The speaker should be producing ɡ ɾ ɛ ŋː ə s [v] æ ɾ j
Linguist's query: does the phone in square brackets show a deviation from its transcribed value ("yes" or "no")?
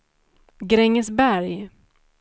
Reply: yes